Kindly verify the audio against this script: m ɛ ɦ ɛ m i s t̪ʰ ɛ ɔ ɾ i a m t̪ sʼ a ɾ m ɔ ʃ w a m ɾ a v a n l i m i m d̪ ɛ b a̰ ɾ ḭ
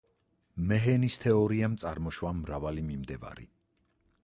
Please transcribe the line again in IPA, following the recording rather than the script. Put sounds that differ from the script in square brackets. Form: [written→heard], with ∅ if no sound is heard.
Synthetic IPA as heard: m ɛ ɦ ɛ [m→n] i s t̪ʰ ɛ ɔ ɾ i a m t̪ sʼ a ɾ m ɔ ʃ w a m ɾ a v a [n→∅] l i m i m d̪ ɛ [b→v] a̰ ɾ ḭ

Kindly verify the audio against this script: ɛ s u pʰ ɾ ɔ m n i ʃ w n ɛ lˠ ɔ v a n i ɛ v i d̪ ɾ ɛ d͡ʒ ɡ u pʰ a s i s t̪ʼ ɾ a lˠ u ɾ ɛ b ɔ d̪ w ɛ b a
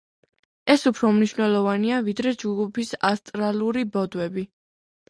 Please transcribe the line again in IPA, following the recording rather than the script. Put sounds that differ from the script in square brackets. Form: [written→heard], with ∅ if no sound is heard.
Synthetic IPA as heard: ɛ s u pʰ ɾ ɔ m n i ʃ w n ɛ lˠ ɔ v a n i [ɛ→a] v i d̪ ɾ ɛ d͡ʒ ɡ u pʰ [a→i] s [i→a] s t̪ʼ ɾ a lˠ u ɾ [ɛ→i] b ɔ d̪ w ɛ b [a→i]

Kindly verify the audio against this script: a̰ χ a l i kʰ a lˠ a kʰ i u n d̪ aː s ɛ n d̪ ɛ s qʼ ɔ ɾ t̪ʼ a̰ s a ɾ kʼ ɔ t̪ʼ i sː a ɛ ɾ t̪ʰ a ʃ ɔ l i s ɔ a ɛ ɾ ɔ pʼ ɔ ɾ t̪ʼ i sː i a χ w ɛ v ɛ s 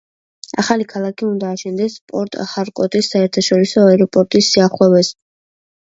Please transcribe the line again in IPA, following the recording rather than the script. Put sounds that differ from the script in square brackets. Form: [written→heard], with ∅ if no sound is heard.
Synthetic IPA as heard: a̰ χ a l i kʰ a lˠ a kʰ i u n d̪ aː [s→ʃ] ɛ n d̪ ɛ s [qʼ→pʼ] ɔ ɾ t̪ʼ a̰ [s→χ] a ɾ kʼ ɔ t̪ʼ i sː a ɛ ɾ t̪ʰ a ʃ ɔ [l→ɾ] i s ɔ a ɛ ɾ ɔ pʼ ɔ ɾ t̪ʼ i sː i a χ w ɛ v ɛ s

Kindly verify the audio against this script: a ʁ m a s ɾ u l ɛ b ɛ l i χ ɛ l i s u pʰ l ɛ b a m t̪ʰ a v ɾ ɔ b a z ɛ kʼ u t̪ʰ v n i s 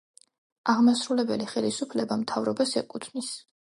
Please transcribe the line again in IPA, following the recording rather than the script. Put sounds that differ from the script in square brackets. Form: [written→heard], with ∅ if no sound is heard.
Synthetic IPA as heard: a ʁ m a s ɾ u l ɛ b ɛ l i χ ɛ l i s u pʰ l ɛ b a m t̪ʰ a v ɾ ɔ b a [z→s] ɛ kʼ u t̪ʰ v n i s

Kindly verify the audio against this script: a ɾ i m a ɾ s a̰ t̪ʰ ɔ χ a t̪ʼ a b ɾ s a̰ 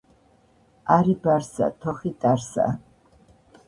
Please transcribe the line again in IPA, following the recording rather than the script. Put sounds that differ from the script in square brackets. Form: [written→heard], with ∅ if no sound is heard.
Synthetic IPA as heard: a ɾ i [m→b] a ɾ s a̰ t̪ʰ ɔ χ [a→i] t̪ʼ a [b→∅] ɾ s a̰

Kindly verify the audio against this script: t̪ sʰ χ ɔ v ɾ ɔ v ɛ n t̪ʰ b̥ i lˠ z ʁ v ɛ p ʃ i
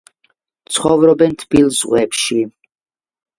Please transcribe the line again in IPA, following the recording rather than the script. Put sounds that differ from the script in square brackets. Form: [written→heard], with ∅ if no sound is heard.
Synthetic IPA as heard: t̪ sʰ χ ɔ v ɾ ɔ [v→b] ɛ n t̪ʰ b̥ i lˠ z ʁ [v→w] ɛ p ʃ i

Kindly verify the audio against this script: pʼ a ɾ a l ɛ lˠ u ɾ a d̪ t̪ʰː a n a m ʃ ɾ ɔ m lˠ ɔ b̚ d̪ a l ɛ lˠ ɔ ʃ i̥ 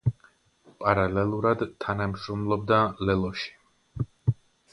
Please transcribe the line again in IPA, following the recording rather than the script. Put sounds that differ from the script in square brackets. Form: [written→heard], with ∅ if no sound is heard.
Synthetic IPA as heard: pʼ a ɾ a l ɛ lˠ u ɾ a d̪ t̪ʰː a n a m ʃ ɾ ɔ m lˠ ɔ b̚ d̪ a l ɛ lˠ ɔ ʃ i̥

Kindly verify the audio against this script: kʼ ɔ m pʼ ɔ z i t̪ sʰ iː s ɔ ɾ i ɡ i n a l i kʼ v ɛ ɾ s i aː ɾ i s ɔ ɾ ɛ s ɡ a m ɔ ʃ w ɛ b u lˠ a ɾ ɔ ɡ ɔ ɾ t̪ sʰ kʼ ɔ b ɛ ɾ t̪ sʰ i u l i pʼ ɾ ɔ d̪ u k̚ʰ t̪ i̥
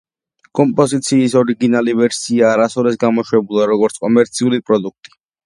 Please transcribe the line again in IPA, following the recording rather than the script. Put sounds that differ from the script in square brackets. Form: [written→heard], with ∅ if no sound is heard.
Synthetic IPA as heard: kʼ ɔ m pʼ ɔ z i t̪ sʰ iː s ɔ ɾ i ɡ i n a l i [kʼ→∅] v ɛ ɾ s i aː ɾ [i→a] s ɔ ɾ ɛ s ɡ a m ɔ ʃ w ɛ b u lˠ a ɾ ɔ ɡ ɔ ɾ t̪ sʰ kʼ ɔ [b→m] ɛ ɾ t̪ sʰ i u l i pʼ ɾ ɔ d̪ u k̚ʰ [t̪→t̪ʼ] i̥

